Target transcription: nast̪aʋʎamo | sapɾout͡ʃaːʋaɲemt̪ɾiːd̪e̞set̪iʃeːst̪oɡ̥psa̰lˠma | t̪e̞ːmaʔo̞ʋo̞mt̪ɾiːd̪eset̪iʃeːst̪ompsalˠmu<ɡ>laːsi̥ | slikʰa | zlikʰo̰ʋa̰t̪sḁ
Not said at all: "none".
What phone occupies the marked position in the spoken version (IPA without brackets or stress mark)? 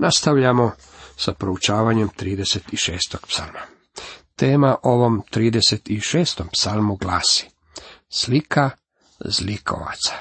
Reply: ɡ